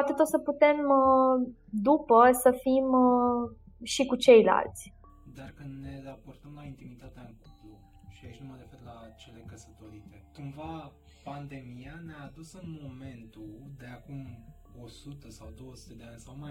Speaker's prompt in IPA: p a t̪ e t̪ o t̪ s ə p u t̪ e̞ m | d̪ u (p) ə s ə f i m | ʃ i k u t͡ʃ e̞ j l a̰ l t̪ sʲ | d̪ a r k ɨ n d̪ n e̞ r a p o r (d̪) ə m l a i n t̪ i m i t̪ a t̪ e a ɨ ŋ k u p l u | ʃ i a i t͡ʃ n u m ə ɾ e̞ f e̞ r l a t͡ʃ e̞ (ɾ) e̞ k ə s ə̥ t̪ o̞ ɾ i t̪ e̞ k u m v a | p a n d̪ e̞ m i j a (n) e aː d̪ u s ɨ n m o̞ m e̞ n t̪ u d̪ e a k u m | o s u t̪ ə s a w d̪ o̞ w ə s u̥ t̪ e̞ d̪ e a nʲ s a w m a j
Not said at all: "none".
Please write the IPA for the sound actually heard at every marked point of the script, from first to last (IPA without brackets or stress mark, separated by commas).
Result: p, t̪, l, n